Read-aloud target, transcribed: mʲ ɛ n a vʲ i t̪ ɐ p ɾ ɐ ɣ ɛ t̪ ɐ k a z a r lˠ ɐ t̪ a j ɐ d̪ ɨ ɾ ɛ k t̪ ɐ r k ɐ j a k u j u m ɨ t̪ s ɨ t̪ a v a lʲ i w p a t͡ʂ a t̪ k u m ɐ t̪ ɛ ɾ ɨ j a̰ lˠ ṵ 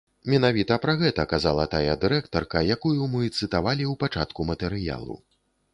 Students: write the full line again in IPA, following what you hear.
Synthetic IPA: mʲ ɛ n a vʲ i t̪ ɐ p ɾ ɐ ɣ ɛ t̪ ɐ k a z a lˠ ɐ t̪ a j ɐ d̪ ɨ ɾ ɛ k t̪ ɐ r k ɐ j a k u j u m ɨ t̪ s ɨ t̪ a v a lʲ i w p a t͡ʂ a t̪ k u m ɐ t̪ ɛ ɾ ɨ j a̰ lˠ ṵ